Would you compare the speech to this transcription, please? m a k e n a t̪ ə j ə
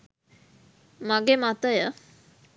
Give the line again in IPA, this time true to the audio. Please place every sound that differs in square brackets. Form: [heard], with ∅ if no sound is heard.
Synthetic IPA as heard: m a [ɡ] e [m] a t̪ ə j ə